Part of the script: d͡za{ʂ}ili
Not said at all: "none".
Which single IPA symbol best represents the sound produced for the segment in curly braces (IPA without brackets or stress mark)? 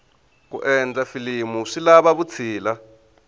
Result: f